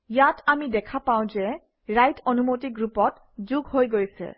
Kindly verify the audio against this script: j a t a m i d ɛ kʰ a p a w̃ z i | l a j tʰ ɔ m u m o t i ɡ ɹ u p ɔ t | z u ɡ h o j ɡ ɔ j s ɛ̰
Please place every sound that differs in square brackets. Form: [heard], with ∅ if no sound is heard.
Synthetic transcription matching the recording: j a t a m i d ɛ kʰ a p a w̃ z [ɛ] | [ɹ] a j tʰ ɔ [n] u m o t i ɡ ɹ u p ɔ t | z u ɡ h o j ɡ [o] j s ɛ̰